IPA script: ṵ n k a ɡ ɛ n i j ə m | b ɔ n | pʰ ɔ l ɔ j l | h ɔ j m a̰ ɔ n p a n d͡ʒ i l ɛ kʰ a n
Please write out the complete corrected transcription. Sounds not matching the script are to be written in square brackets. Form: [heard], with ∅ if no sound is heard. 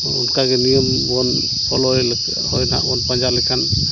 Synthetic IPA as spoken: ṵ n k a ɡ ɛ n i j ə m | b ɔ n | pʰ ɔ l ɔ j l | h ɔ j [n] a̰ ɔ n p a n d͡ʒ [a] l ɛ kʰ a n